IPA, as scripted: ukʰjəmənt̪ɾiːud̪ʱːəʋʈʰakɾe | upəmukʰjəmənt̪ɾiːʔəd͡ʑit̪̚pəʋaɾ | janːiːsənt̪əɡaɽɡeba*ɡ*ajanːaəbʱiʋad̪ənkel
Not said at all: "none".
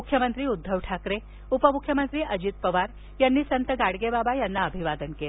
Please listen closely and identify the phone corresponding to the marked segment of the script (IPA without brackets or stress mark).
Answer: b